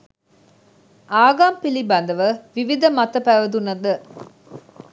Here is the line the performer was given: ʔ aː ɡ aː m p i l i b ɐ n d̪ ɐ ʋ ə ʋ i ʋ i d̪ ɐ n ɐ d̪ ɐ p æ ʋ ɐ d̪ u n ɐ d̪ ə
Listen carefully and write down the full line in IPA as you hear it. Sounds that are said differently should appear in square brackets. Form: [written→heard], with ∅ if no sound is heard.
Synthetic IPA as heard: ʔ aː ɡ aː m p i l i b ɐ n d̪ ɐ ʋ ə ʋ i ʋ i d̪ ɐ [n→m] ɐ [d̪→t̪] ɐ p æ ʋ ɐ d̪ u n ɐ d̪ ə